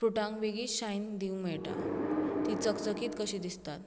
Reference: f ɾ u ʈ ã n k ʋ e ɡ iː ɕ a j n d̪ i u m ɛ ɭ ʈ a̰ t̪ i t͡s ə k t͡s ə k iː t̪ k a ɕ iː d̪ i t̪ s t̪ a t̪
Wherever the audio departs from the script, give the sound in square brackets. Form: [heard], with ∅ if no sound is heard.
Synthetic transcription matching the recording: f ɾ u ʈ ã [ŋ] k ʋ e ɡ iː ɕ a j n d̪ i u m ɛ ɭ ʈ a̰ t̪ i t͡s ə k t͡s ə k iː t̪ k [ə] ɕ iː d̪ i [∅] s t̪ a t̪